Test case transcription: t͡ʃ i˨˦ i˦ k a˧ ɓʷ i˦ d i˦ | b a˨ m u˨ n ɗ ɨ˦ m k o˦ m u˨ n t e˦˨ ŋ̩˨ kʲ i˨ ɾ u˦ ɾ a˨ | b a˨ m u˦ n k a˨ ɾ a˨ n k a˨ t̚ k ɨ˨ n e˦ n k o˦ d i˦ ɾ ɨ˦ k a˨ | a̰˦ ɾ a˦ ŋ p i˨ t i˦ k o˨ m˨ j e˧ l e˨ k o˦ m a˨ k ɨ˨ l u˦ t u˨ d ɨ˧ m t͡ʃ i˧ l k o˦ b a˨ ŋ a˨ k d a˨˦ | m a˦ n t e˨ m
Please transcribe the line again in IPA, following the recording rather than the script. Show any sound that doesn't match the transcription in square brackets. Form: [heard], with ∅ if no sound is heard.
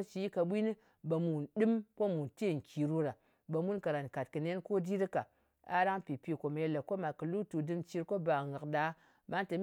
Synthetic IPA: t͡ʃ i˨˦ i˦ k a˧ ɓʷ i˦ [n] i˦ | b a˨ m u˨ n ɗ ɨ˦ m k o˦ m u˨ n t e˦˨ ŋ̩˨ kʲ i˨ ɾ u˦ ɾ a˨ | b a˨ m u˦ n k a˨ ɾ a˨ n k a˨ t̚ k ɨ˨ n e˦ n k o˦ d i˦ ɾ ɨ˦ k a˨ | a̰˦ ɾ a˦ ŋ p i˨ [p] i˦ k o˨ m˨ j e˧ l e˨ k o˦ m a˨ k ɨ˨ l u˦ t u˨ d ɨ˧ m t͡ʃ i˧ [ɾ] k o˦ b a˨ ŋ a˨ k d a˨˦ | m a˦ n t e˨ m